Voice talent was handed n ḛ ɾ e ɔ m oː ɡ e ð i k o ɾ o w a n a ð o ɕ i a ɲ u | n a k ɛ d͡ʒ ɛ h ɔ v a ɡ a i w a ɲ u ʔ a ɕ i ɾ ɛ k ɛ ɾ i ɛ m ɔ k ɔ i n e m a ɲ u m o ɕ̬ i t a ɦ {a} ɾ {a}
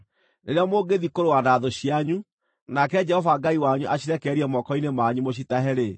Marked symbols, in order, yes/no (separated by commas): no, no